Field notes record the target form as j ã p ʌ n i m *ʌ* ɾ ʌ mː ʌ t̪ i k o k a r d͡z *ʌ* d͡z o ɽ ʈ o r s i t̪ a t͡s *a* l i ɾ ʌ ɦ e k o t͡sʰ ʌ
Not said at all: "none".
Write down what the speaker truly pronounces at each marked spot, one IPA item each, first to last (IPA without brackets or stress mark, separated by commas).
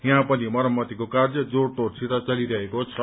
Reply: ʌ, ʌ, ʌ